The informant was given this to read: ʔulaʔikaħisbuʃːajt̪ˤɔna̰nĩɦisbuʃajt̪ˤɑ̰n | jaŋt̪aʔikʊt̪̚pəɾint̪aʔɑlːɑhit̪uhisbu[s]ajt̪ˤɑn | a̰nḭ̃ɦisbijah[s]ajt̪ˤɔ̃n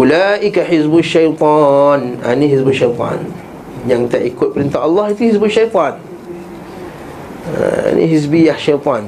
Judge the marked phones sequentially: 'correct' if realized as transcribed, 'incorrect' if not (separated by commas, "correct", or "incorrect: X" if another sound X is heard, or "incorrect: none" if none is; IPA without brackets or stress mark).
incorrect: ʃ, incorrect: ʃ